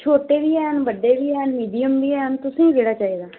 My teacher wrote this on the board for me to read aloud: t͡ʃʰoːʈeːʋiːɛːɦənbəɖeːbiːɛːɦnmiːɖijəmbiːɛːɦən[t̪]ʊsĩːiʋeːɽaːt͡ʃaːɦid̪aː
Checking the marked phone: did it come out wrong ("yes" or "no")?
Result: no